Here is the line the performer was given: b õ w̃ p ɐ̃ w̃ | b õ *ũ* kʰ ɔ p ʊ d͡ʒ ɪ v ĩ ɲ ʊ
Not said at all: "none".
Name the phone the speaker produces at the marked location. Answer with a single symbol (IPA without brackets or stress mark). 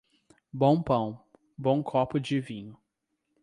w̃